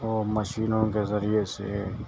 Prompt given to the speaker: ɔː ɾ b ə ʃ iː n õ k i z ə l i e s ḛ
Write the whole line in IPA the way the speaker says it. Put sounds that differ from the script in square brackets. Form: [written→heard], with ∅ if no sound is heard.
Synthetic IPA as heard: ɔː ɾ [b→m] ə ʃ iː n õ k [i→e] z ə [l→ɾ] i e s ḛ